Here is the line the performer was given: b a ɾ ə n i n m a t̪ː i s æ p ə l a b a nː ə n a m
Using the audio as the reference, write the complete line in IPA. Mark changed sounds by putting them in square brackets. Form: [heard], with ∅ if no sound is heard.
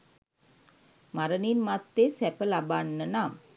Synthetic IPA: [m] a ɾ ə n i n m a t̪ː [e] s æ p ə l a b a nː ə n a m

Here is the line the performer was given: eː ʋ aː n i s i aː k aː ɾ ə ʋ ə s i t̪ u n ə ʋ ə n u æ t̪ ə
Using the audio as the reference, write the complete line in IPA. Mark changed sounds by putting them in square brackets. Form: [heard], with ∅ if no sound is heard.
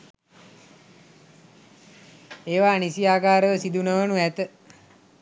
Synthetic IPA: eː ʋ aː n i s i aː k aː ɾ ə ʋ ə s i [d̪] u n ə ʋ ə n u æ t̪ ə

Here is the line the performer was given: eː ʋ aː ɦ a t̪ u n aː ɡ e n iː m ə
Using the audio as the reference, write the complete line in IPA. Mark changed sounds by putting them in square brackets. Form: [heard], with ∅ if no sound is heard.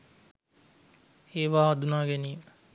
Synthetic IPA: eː ʋ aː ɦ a [d̪] u n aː ɡ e n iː m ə

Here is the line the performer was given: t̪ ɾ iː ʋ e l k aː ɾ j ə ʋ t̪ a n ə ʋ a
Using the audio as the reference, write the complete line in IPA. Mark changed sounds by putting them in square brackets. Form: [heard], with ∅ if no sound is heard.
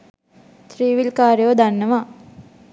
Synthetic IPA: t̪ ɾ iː ʋ [i] l k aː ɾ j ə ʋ [d̪] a [nː] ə ʋ a

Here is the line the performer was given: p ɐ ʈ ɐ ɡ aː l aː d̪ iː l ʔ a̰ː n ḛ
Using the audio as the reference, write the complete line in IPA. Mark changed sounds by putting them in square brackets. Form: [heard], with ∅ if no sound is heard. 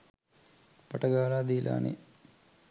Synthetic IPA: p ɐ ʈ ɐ ɡ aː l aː d̪ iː l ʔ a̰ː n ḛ

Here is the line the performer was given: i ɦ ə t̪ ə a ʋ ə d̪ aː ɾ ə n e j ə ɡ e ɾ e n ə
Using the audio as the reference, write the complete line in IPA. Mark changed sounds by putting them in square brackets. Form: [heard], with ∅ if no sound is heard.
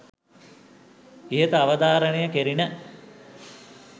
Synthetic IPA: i ɦ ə t̪ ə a ʋ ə d̪ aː ɾ ə n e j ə [k] e ɾ [i] n ə

